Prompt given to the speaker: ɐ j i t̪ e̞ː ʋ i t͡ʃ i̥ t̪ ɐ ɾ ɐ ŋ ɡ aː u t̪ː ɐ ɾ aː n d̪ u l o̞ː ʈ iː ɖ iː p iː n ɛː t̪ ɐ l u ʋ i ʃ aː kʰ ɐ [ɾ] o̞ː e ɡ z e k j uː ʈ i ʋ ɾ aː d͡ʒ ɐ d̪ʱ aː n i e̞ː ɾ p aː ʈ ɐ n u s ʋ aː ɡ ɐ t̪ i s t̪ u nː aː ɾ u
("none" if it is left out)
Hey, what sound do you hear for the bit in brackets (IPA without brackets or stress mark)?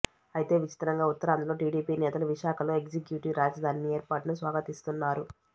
l